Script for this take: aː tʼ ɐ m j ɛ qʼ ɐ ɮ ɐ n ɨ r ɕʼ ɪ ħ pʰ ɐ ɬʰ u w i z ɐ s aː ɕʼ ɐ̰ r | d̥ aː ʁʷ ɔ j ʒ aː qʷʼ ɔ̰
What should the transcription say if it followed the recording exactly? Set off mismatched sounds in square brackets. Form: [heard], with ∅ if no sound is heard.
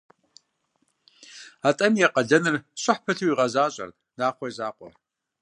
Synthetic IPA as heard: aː tʼ ɐ m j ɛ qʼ ɐ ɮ ɐ n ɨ r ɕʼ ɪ ħ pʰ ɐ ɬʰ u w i [ʁ] ɐ [z] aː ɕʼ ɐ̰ r | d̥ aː [χʷ] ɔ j [z] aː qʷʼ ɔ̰